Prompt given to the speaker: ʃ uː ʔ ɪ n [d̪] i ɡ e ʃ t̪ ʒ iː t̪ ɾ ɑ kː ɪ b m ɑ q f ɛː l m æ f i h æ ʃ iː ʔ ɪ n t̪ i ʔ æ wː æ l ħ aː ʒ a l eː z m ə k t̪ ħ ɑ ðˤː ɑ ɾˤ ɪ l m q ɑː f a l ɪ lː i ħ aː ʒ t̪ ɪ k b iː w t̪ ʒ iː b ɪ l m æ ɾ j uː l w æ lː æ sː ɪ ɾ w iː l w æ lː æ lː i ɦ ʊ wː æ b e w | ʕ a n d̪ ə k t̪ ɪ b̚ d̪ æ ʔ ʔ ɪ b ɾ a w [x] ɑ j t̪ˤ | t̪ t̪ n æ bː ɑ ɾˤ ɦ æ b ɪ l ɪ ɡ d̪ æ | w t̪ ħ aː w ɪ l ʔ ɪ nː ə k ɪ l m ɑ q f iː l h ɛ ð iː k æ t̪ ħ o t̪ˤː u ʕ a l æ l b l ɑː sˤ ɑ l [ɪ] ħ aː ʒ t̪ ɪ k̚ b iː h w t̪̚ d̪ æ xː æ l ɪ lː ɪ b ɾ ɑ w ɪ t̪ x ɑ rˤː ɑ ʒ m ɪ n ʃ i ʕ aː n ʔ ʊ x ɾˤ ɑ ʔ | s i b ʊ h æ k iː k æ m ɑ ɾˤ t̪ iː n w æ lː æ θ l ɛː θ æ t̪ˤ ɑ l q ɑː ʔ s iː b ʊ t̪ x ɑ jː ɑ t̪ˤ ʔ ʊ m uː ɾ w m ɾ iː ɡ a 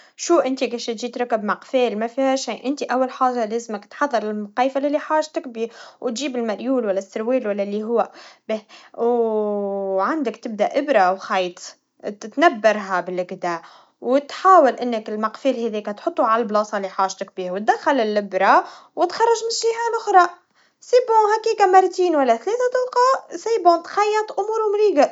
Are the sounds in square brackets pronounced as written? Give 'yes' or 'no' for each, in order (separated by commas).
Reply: no, yes, no